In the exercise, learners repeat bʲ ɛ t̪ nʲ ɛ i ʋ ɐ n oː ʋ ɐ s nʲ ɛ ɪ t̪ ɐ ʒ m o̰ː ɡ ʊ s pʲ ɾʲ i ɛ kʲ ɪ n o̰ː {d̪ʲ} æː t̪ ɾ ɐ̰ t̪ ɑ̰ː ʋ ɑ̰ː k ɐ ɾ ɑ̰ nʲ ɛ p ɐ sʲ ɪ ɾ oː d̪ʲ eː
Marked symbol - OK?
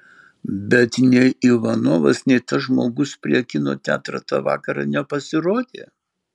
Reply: no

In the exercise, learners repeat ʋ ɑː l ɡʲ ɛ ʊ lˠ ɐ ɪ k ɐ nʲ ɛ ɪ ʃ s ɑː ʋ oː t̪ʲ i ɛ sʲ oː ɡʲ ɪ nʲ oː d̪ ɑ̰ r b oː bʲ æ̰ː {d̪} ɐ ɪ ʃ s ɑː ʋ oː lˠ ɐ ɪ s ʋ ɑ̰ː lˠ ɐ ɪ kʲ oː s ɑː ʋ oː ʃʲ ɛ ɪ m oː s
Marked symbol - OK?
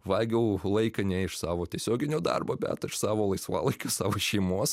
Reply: no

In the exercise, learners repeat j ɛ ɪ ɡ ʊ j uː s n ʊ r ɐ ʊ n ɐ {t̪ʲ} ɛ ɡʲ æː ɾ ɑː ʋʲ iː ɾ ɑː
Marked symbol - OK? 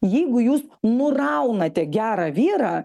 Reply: yes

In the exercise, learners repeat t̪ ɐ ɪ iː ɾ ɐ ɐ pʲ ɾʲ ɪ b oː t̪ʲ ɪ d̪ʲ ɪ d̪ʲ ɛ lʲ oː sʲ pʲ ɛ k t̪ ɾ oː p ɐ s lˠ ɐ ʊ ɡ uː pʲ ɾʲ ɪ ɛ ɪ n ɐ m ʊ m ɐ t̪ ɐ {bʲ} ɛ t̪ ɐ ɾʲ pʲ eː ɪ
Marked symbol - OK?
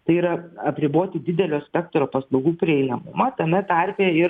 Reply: no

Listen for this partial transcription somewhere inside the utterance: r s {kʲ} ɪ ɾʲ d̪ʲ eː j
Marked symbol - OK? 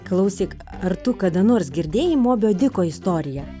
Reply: no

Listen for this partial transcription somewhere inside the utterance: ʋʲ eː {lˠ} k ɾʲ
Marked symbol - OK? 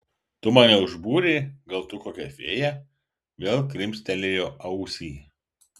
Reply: yes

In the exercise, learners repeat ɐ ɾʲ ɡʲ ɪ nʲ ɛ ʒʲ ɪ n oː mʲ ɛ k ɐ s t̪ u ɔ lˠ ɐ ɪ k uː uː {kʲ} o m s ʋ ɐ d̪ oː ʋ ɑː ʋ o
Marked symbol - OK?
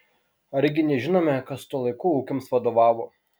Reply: yes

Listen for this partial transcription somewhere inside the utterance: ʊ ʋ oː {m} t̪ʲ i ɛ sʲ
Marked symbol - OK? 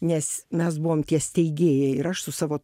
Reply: yes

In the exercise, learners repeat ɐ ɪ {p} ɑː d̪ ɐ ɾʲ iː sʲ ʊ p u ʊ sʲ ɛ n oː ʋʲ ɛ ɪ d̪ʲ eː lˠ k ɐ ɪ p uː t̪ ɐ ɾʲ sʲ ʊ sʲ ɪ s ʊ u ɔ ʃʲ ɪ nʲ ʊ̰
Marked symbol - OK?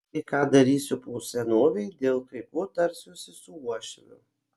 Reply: no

